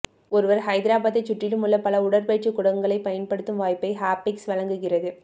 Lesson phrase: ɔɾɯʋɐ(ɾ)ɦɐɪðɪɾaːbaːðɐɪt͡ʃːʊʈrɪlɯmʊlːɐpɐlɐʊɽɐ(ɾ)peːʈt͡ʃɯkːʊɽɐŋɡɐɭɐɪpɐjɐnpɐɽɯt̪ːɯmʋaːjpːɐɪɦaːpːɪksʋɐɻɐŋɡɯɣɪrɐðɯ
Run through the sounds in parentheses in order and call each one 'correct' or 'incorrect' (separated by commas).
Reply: correct, correct